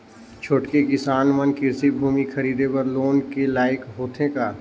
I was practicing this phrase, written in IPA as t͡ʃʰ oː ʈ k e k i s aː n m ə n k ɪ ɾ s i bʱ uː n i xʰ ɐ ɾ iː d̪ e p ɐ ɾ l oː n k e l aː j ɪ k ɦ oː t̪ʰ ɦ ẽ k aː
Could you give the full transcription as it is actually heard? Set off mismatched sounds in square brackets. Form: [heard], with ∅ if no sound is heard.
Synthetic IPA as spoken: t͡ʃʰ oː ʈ k e k [ɪ] s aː n m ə n k ɪ ɾ s i bʱ uː [m] i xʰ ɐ ɾ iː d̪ e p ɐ ɾ l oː n k e l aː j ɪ k ɦ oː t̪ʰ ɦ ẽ k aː